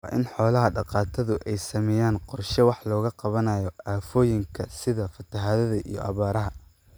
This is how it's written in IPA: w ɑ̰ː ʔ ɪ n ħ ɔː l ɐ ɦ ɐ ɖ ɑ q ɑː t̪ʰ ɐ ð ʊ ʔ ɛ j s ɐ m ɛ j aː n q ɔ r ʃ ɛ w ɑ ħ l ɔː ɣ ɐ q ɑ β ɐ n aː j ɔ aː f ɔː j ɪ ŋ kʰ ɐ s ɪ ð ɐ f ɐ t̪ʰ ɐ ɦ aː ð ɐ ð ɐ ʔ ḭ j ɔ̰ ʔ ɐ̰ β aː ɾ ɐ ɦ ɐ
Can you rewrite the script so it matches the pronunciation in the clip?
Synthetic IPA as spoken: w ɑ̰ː ʔ ɪ n ħ ɔː l ɐ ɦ ɐ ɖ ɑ q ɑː t̪ʰ ɐ ð ʊ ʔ ɛ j s ɐ m ɛ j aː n q ɔ r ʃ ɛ w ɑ ħ l ɔː ɣ ɐ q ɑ β ɐ n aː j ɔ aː f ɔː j ɪ ŋ kʰ ɐ s ɪ ð ɐ f ɐ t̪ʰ ɐ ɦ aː ð ɐ ð ɐ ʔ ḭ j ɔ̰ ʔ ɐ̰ β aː ɾ ɐ ɦ ɐ